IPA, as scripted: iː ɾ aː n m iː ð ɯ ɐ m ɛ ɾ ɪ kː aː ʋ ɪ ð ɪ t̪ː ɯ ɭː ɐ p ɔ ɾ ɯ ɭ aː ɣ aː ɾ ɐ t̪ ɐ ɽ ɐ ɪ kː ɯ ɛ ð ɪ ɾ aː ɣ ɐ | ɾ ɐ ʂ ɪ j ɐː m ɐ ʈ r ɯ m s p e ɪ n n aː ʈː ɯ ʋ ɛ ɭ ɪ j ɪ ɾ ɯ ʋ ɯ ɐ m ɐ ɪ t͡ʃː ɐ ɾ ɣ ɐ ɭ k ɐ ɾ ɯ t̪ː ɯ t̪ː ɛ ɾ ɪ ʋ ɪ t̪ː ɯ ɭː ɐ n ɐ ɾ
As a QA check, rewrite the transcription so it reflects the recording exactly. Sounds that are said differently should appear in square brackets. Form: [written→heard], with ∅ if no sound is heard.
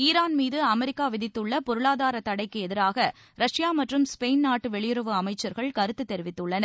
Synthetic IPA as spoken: iː ɾ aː n m iː ð ɯ ɐ m ɛ ɾ ɪ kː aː ʋ ɪ ð ɪ t̪ː ɯ ɭː ɐ p ɔ ɾ ɯ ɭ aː [ɣ→ð] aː ɾ ɐ t̪ ɐ ɽ ɐ ɪ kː ɯ ɛ ð ɪ ɾ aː ɣ ɐ | ɾ ɐ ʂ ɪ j [ɐː→aː] m ɐ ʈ r ɯ m s p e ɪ n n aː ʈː ɯ ʋ ɛ ɭ ɪ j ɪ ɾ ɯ ʋ ɯ ɐ m ɐ ɪ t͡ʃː ɐ ɾ ɣ ɐ ɭ k ɐ ɾ ɯ t̪ː ɯ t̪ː ɛ ɾ ɪ ʋ ɪ t̪ː ɯ ɭː ɐ n ɐ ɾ

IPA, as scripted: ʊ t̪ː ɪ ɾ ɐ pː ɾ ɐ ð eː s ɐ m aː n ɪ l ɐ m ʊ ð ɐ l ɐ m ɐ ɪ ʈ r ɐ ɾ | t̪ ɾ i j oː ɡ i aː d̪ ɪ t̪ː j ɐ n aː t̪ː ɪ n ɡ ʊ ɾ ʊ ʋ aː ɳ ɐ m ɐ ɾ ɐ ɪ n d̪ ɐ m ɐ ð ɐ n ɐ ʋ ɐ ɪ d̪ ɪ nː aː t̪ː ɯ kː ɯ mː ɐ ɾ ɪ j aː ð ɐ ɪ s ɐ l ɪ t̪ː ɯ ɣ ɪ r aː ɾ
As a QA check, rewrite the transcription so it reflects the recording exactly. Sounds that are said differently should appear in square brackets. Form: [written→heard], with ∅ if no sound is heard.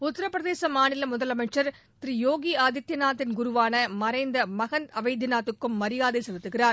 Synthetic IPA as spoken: ʊ t̪ː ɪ ɾ ɐ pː ɾ ɐ ð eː s ɐ m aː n ɪ l ɐ m ʊ ð ɐ l ɐ m ɐ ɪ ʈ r ɐ ɾ | t̪ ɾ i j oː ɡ i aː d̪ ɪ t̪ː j ɐ n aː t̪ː ɪ n ɡ ʊ ɾ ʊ ʋ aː [ɳ→n] ɐ m ɐ ɾ ɐ ɪ n d̪ ɐ m ɐ [ð→ɣ] ɐ n ɐ ʋ ɐ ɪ d̪ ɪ [nː→n] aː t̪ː ɯ kː ɯ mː ɐ ɾ ɪ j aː ð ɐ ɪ s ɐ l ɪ t̪ː ɯ ɣ ɪ r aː ɾ

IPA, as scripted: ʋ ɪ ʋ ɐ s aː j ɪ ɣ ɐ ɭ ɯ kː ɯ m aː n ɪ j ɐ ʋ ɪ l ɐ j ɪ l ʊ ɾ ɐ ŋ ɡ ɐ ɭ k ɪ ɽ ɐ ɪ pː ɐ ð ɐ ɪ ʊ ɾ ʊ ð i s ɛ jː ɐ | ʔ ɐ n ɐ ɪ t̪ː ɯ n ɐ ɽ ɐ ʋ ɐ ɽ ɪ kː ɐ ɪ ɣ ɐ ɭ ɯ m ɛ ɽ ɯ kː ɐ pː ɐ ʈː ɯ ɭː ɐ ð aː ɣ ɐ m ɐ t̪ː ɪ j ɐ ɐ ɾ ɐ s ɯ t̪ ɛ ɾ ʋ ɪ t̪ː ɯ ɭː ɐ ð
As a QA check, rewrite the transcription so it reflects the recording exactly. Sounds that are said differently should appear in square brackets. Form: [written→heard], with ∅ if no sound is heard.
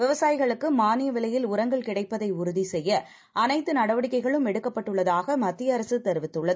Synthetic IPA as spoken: ʋ ɪ ʋ ɐ s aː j ɪ ɣ ɐ ɭ ɯ kː ɯ m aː n ɪ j ɐ ʋ ɪ l ɐ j ɪ l ʊ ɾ ɐ ŋ ɡ ɐ ɭ k ɪ ɽ ɐ ɪ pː ɐ ð ɐ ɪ ʊ ɾ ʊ ð i s ɛ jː ɐ | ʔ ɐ n ɐ ɪ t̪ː ɯ n ɐ ɽ ɐ ʋ ɐ ɽ ɪ kː ɐ ɪ ɣ ɐ ɭ ɯ m ɛ ɽ ɯ kː ɐ pː ɐ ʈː ɯ ɭː ɐ ð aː ɣ ɐ m ɐ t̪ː ɪ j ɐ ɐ ɾ ɐ s ɯ t̪ ɛ ɾ ʋ ɪ t̪ː ɯ ɭː ɐ ð

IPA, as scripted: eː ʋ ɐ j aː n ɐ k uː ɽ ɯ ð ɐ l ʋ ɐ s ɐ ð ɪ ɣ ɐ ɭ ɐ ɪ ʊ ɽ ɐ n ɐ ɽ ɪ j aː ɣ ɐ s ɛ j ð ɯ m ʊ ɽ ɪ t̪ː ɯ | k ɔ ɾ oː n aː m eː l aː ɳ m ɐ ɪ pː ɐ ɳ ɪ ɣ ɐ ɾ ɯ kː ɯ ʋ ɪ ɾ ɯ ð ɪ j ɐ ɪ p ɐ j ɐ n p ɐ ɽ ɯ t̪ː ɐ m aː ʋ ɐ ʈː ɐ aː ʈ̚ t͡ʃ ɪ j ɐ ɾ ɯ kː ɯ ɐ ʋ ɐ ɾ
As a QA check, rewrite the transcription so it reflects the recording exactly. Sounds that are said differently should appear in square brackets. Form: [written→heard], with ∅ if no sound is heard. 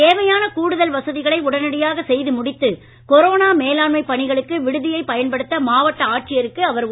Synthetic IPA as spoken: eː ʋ ɐ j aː n ɐ k uː ɽ ɯ ð ɐ l ʋ ɐ s ɐ ð ɪ ɣ ɐ ɭ ɐ ɪ ʊ ɽ ɐ n ɐ ɽ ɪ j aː ɣ ɐ s ɛ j ð ɯ m ʊ ɽ ɪ t̪ː ɯ | k ɔ ɾ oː n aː m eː l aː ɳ m ɐ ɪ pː ɐ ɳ ɪ ɣ ɐ [ɾ→ɭ] ɯ kː ɯ ʋ ɪ [ɾ→ɽ] ɯ ð ɪ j ɐ ɪ p ɐ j ɐ n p ɐ ɽ ɯ t̪ː ɐ m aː ʋ ɐ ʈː ɐ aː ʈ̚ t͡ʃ ɪ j ɐ ɾ ɯ kː ɯ ɐ ʋ ɐ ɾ

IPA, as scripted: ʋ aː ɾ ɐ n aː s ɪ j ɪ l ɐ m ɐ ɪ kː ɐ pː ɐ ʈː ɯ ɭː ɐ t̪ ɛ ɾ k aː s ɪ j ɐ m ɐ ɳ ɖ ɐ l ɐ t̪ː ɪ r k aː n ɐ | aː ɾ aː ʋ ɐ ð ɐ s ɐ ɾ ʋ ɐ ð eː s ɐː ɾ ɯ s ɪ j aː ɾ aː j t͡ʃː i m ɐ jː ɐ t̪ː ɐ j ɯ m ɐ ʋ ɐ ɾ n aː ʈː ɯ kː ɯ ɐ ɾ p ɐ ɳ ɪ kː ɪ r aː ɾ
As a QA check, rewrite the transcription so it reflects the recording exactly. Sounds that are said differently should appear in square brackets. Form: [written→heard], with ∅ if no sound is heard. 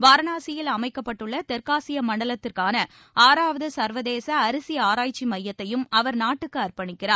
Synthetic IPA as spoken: ʋ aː ɾ ɐ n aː s ɪ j ɪ l ɐ m ɐ ɪ kː ɐ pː ɐ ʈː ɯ ɭː ɐ t̪ ɛ ɾ k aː s ɪ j ɐ m ɐ ɳ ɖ ɐ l ɐ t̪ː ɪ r k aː n ɐ | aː ɾ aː ʋ ɐ ð ɐ s ɐ ɾ ʋ ɐ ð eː s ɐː ɾ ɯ s ɪ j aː ɾ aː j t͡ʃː i m ɐ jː ɐ t̪ː ɐ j ɯ m ɐ ʋ ɐ ɾ n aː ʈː ɯ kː ɯ ɐ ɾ p ɐ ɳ ɪ kː ɪ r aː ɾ

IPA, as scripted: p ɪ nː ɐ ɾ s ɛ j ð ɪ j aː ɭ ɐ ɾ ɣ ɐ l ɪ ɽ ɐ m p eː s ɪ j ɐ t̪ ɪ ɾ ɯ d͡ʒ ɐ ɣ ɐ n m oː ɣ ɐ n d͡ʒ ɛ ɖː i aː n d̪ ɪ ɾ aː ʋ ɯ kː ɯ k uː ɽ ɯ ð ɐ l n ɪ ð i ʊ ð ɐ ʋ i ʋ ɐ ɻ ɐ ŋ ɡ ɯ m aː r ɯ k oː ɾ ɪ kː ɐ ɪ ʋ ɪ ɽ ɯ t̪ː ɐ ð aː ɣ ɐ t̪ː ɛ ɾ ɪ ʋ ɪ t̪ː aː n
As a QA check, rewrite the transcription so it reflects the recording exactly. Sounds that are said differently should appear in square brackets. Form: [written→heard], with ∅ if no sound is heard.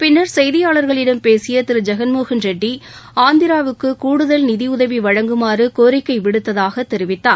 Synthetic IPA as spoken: p ɪ nː ɐ ɾ s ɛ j ð ɪ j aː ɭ ɐ ɾ ɣ ɐ [l→ɭ] ɪ ɽ ɐ m p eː s ɪ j ɐ t̪ ɪ ɾ ɯ d͡ʒ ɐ ɣ ɐ n m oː ɣ ɐ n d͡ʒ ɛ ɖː i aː n d̪ ɪ ɾ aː ʋ ɯ kː ɯ k uː ɽ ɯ ð ɐ l n ɪ ð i ʊ ð ɐ ʋ i ʋ ɐ ɻ ɐ ŋ ɡ ɯ m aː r ɯ k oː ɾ ɪ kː ɐ ɪ ʋ ɪ ɽ ɯ t̪ː ɐ ð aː ɣ ɐ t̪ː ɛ ɾ ɪ ʋ ɪ t̪ː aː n

